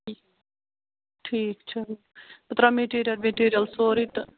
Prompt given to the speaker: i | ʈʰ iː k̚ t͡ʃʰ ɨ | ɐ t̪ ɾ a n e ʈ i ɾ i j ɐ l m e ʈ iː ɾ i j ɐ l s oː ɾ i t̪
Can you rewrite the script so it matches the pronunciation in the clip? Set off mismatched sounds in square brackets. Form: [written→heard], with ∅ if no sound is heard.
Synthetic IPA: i | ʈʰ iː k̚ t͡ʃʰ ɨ | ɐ t̪ ɾ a [n→m] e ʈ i ɾ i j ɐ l m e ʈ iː ɾ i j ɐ l s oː ɾ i t̪